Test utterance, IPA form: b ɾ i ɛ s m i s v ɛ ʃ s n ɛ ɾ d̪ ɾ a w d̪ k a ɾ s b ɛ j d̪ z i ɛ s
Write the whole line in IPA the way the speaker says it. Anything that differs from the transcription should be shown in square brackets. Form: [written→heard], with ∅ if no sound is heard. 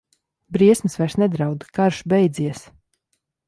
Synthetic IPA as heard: b ɾ i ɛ s m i s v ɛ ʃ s n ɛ [ɾ→∅] d̪ ɾ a w d̪ k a ɾ [s→ʃ] b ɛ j d̪ z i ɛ s